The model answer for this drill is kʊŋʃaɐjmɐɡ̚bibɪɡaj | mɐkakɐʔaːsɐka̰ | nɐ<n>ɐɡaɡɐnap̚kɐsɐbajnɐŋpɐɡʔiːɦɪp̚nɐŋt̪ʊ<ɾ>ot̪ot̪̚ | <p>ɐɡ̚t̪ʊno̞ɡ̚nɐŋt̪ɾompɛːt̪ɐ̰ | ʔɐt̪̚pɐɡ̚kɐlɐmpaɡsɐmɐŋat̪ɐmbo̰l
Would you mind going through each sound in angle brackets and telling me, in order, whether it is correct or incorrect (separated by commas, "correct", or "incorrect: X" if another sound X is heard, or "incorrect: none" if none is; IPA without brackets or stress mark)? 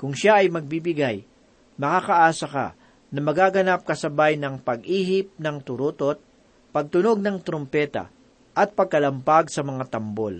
incorrect: m, correct, correct